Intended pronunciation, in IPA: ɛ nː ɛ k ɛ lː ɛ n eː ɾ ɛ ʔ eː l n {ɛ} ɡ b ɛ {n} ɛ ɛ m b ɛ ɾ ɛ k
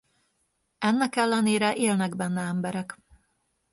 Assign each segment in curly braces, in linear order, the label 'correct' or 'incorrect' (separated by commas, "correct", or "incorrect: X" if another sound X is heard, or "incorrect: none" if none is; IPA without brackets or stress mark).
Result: correct, incorrect: nː